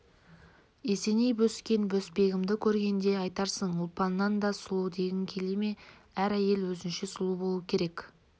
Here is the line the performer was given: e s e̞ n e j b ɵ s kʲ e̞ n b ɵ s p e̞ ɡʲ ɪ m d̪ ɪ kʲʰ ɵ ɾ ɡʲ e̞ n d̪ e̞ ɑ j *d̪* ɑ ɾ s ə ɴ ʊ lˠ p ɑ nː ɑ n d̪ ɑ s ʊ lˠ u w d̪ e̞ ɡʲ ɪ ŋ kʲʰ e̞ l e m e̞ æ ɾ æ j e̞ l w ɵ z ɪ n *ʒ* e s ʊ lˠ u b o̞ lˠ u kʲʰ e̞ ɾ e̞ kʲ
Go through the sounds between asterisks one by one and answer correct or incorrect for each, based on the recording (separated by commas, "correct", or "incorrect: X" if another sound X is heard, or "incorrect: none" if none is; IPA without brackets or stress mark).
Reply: incorrect: t̪, incorrect: ʃ